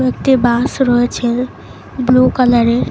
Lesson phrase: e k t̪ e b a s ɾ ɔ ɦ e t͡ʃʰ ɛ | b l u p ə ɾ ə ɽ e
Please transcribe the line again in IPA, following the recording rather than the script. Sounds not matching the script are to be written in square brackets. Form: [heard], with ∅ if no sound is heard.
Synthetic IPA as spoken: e k t̪ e b a s ɾ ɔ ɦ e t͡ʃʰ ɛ | b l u [k] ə [l] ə [ɾ] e